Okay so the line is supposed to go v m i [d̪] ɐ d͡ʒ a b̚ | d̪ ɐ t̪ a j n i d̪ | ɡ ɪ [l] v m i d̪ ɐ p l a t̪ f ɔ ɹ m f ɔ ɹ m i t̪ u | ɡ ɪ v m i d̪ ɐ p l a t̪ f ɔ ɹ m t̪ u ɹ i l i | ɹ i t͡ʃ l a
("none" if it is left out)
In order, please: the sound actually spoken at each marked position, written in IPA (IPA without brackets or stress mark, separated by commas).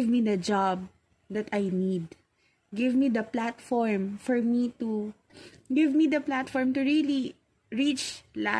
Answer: d̪, none